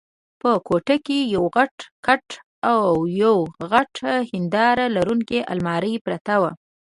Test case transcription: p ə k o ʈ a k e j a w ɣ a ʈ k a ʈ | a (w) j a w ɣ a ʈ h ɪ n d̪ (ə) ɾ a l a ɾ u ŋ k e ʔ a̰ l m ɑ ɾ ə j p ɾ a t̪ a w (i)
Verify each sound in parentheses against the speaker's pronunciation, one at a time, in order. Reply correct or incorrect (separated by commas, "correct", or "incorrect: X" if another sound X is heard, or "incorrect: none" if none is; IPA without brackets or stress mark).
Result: correct, incorrect: ɑ, incorrect: a